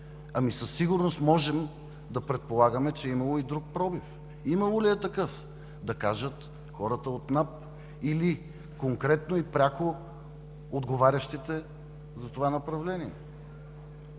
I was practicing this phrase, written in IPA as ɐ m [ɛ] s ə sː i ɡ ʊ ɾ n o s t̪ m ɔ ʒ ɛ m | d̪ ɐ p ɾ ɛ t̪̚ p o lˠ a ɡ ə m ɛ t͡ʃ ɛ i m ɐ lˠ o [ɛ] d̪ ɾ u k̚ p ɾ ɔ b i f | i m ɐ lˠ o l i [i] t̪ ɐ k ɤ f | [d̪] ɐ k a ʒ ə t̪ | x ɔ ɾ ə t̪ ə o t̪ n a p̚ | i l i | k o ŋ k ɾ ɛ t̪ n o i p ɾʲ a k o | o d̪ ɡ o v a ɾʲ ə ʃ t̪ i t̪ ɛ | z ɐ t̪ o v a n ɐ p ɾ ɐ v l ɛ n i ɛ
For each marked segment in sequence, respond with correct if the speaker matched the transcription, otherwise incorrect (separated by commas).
incorrect, incorrect, incorrect, correct